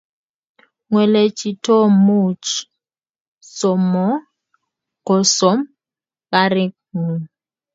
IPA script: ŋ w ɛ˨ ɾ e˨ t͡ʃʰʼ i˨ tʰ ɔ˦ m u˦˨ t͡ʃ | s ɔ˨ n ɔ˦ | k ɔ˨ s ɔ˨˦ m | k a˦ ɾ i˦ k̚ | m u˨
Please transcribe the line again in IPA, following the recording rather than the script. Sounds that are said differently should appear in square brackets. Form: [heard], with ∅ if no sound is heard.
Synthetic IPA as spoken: ŋ w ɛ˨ [l] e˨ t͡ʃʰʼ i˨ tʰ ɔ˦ m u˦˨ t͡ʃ | s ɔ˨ [m] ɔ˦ | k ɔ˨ s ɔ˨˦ m | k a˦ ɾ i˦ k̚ | [ŋ] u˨